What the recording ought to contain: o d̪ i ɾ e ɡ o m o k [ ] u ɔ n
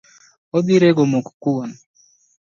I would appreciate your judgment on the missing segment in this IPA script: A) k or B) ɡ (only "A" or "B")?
A